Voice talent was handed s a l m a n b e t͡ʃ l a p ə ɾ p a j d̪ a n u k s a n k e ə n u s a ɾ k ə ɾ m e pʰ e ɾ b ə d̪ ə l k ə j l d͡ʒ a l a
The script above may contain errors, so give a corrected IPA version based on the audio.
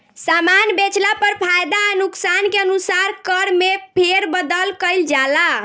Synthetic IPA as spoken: s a m a n b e t͡ʃ l a p ə ɾ pʰ a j d̪ a n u k s a n k e ə n u s a ɾ k ə ɾ m e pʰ e ɾ b ə d̪ ə l k ə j l d͡ʒ a l a